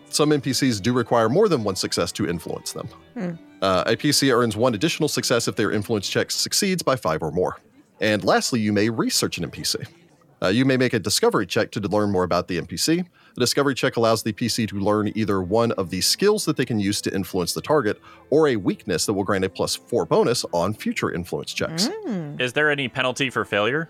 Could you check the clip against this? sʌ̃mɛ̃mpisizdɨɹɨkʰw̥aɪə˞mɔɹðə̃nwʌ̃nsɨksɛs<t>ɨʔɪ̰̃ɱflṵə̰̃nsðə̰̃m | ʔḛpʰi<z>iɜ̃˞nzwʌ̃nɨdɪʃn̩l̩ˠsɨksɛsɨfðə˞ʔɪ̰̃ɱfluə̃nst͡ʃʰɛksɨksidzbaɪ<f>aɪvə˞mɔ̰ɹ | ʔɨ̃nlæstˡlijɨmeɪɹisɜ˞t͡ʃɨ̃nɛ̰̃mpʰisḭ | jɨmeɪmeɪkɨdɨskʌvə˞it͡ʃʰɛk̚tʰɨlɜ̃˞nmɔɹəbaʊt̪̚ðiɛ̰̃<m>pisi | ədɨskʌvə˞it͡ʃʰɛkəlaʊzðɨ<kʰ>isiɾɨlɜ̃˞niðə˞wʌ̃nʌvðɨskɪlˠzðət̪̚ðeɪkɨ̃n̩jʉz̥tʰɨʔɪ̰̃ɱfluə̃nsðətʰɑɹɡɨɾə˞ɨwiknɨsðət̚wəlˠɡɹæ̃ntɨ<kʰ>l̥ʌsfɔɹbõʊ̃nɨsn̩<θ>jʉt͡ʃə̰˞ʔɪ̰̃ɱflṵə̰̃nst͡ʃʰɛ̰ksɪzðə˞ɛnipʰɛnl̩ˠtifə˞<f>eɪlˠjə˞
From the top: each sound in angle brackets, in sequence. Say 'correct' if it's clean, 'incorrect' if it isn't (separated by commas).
incorrect, incorrect, correct, correct, incorrect, incorrect, incorrect, correct